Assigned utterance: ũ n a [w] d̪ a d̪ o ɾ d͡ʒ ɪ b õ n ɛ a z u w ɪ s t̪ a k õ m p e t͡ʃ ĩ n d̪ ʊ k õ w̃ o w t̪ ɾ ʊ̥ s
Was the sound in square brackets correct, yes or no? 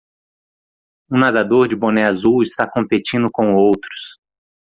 no